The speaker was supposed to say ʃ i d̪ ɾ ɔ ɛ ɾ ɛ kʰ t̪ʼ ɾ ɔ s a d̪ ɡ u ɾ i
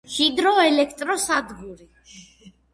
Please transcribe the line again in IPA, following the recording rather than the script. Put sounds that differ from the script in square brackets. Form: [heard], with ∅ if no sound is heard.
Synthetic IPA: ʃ i d̪ ɾ ɔ ɛ [l] ɛ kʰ t̪ʼ ɾ ɔ s a d̪ ɡ u ɾ i